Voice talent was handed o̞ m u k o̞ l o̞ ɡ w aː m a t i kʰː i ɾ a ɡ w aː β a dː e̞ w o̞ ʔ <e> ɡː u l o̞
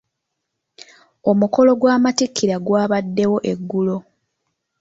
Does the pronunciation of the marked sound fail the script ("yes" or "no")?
no